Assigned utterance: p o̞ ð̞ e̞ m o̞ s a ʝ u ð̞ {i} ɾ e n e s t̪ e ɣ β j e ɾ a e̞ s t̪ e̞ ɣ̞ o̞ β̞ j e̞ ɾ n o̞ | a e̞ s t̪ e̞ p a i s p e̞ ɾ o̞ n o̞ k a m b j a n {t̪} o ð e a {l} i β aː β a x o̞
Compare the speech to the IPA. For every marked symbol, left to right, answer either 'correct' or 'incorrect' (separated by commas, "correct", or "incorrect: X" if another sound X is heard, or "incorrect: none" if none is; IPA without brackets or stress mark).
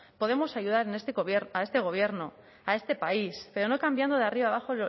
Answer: incorrect: a, incorrect: d̪, incorrect: r